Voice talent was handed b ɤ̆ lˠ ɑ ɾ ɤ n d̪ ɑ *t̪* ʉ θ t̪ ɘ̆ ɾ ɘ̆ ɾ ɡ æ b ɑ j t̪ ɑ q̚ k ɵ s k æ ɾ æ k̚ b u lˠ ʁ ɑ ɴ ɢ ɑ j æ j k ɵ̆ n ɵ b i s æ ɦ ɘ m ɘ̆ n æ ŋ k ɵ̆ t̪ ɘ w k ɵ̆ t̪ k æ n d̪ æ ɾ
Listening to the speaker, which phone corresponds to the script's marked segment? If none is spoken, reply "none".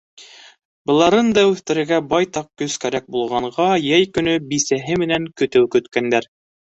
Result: none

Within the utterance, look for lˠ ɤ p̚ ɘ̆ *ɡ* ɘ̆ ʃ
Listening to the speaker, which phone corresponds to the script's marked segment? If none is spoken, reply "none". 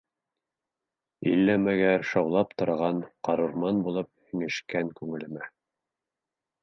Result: ŋ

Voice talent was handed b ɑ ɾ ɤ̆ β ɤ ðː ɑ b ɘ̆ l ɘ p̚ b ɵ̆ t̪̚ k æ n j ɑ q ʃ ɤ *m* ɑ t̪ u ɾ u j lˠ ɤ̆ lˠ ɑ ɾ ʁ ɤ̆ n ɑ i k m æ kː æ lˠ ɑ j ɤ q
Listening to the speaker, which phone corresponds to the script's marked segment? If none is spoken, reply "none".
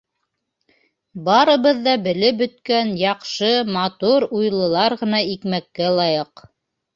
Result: m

